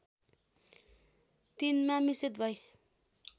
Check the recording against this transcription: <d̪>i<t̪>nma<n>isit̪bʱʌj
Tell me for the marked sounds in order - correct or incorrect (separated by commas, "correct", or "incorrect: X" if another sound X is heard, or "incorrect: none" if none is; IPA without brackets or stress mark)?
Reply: incorrect: t̪, incorrect: none, incorrect: m